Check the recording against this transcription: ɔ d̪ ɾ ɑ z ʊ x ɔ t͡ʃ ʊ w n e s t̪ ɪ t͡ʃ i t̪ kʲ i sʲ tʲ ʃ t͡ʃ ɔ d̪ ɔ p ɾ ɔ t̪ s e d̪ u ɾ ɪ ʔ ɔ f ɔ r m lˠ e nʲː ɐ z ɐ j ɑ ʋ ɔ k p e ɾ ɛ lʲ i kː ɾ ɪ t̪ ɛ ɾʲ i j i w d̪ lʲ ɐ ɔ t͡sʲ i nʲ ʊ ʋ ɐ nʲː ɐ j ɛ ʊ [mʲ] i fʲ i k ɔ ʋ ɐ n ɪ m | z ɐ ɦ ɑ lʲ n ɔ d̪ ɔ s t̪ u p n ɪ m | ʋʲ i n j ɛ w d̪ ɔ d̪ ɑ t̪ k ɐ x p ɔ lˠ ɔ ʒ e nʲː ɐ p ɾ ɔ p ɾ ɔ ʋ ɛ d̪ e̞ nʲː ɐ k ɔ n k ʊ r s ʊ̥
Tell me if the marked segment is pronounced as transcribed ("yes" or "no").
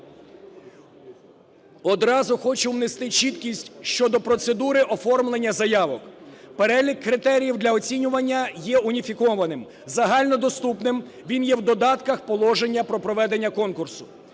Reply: no